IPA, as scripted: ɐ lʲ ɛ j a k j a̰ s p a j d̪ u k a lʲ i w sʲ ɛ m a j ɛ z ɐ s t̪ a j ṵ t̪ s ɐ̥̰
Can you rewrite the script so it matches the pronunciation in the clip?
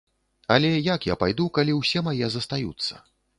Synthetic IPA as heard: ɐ lʲ ɛ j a k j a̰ p a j d̪ u k a lʲ i w sʲ ɛ m a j ɛ z ɐ s t̪ a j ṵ t̪ sː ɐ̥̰